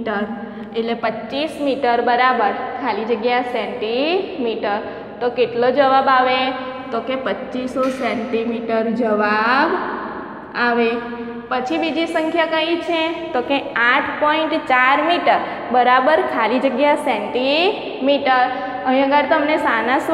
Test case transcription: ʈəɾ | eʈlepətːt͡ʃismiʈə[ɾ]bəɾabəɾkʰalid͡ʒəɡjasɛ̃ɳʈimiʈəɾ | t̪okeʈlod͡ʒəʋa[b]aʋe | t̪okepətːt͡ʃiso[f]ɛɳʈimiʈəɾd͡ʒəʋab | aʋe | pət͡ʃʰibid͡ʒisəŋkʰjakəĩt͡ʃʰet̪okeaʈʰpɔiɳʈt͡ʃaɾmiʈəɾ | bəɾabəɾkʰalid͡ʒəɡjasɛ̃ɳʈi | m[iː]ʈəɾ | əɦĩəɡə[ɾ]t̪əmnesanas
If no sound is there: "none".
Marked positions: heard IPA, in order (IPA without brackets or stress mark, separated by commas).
ɾ, b, s, i, ɾ